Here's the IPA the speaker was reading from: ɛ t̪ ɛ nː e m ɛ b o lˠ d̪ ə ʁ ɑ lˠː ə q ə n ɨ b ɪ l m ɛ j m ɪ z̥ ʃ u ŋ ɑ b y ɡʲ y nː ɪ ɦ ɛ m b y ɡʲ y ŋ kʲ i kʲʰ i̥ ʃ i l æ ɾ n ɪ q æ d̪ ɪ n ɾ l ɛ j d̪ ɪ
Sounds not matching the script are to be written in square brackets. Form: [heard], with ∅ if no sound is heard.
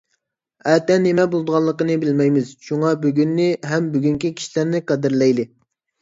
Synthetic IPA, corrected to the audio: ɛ t̪ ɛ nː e m ɛ b o lˠ d̪ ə ʁ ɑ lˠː ə q ə n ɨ b ɪ l m ɛ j m ɪ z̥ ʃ u ŋ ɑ b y ɡʲ y nː ɪ ɦ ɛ m b y ɡʲ y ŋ kʲ i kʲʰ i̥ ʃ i l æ ɾ n ɪ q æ d̪ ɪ [∅] ɾ l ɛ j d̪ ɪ

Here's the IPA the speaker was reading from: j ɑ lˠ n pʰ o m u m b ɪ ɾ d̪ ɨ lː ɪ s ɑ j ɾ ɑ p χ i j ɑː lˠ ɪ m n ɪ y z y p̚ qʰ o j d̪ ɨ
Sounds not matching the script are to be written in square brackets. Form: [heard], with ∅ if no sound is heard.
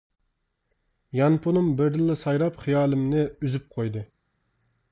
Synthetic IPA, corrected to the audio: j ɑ [∅] n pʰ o [n] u m b ɪ ɾ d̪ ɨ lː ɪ s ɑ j ɾ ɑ p χ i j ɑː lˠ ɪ m n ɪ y z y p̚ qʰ o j d̪ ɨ

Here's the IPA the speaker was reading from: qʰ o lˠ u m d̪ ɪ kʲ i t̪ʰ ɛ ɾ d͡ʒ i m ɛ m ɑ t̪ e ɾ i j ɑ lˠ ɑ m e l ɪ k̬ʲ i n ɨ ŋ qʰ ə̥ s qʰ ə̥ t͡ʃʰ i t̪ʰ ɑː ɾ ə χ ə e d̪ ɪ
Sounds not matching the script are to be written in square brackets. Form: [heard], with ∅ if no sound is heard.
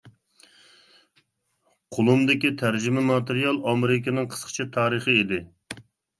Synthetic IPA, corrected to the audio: qʰ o lˠ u m d̪ ɪ kʲ i t̪ʰ [æ] ɾ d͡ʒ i m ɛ m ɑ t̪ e ɾ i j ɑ lˠ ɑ m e [ɾ] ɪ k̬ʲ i n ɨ ŋ qʰ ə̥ s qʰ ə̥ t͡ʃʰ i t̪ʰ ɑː ɾ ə χ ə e d̪ ɪ

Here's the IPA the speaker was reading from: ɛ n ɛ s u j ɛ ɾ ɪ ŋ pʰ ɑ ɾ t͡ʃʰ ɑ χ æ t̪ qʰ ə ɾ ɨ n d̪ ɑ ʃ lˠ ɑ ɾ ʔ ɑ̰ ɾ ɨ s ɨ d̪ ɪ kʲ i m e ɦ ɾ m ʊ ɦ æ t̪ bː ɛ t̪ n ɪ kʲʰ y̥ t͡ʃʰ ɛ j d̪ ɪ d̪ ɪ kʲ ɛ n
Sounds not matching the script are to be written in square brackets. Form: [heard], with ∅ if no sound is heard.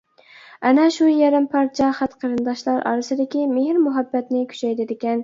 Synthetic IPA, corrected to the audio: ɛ n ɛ [ʃ] u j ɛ ɾ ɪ [m] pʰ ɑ ɾ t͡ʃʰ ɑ χ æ t̪ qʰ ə ɾ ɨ n d̪ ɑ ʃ lˠ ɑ ɾ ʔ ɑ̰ ɾ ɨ s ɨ d̪ ɪ kʲ i m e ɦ ɾ m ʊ ɦ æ [∅] bː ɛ t̪ n ɪ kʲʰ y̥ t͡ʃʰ ɛ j d̪ ɪ d̪ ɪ kʲ ɛ n

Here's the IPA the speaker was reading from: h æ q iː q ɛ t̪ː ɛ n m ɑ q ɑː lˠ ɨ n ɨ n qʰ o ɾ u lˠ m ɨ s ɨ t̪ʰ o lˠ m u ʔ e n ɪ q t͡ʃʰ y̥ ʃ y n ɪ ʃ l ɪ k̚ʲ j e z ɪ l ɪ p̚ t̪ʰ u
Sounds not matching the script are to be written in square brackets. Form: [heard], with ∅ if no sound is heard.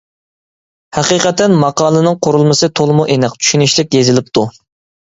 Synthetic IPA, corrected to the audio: h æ q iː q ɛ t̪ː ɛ n m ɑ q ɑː lˠ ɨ n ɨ [ŋ] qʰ o ɾ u lˠ m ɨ s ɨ t̪ʰ o lˠ m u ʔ e n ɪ q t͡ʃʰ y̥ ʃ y n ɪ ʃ l ɪ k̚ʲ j e z ɪ l ɪ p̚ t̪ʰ u

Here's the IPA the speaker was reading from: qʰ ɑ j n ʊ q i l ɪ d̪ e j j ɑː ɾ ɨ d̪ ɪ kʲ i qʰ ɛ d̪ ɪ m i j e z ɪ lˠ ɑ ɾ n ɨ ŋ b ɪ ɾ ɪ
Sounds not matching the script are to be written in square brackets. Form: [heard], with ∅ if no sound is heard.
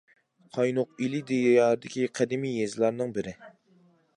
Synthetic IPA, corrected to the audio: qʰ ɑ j n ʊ q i l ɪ d̪ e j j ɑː ɾ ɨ d̪ ɪ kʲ i qʰ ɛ d̪ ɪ m i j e z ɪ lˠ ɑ ɾ n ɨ ŋ b ɪ ɾ ɪ

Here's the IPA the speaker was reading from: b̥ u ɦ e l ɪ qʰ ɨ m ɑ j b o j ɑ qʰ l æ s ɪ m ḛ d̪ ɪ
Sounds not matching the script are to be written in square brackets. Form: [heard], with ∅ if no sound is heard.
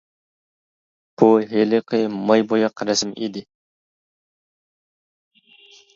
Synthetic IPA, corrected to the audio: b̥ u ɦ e l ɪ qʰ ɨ m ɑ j b o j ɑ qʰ [ɾ] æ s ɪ m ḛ d̪ ɪ

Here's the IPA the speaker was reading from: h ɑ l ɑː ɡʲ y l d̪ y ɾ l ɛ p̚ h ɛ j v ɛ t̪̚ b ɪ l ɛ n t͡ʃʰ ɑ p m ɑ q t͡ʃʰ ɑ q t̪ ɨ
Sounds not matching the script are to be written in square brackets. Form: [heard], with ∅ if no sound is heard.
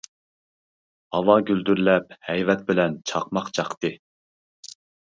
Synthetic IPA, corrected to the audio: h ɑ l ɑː ɡʲ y l d̪ y ɾ l ɛ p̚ h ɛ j v ɛ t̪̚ b ɪ l ɛ n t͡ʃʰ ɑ [q] m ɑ q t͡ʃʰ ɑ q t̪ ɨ

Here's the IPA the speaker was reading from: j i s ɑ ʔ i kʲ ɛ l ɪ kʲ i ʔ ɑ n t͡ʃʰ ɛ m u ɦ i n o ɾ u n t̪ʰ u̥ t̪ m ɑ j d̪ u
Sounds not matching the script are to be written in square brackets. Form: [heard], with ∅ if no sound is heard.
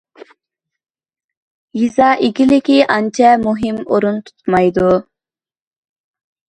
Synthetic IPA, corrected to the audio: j i [z] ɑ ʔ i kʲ [i] l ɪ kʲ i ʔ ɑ n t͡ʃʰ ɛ m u ɦ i [m] o ɾ u n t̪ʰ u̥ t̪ m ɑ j d̪ u

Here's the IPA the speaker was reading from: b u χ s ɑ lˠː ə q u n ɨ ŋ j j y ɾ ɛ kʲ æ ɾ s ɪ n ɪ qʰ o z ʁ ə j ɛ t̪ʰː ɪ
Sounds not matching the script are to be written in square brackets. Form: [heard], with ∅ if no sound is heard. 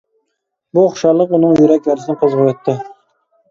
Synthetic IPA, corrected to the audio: b u χ [ʃ] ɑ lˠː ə q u n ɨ ŋ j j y ɾ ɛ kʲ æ ɾ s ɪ n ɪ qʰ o z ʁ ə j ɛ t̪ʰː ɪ

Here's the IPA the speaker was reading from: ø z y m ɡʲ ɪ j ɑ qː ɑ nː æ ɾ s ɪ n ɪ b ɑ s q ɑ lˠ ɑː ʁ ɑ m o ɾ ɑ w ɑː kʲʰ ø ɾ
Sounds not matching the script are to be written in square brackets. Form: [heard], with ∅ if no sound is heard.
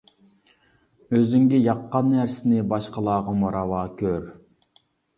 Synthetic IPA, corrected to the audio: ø z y [ŋ] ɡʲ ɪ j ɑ qː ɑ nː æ ɾ s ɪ n ɪ b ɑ [ʃ] q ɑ lˠ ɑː ʁ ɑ m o ɾ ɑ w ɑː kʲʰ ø ɾ

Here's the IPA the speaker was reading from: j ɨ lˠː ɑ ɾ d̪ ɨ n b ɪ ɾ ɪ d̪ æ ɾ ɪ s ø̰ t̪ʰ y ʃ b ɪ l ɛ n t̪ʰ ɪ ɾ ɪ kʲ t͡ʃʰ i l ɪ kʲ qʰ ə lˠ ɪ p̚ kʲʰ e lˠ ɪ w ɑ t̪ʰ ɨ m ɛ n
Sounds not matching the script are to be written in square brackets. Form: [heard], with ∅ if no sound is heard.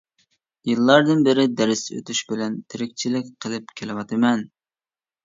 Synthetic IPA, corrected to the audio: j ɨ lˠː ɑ ɾ d̪ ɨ n b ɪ ɾ ɪ d̪ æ ɾ ɪ s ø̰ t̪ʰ y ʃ b ɪ l ɛ n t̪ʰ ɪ ɾ ɪ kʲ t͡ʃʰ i l ɪ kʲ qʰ ə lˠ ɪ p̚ kʲʰ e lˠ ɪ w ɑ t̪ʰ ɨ m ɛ n

